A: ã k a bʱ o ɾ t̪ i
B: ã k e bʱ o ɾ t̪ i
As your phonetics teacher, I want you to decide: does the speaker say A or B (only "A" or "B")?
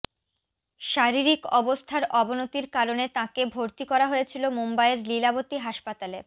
B